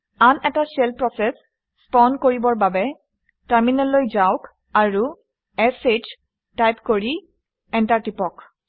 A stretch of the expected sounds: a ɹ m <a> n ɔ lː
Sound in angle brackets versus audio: incorrect: i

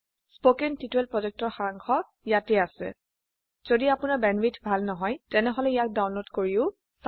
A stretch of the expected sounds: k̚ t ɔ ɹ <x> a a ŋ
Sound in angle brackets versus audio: correct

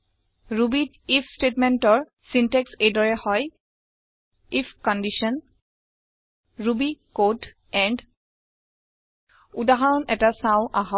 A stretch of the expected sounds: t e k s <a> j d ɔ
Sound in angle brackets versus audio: incorrect: e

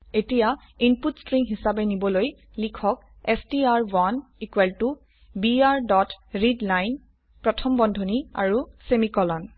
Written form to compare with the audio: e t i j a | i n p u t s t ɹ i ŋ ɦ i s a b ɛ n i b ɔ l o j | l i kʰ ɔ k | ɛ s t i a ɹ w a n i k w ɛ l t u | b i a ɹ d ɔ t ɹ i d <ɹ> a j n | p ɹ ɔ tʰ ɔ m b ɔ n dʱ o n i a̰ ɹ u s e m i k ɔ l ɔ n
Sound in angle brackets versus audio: incorrect: l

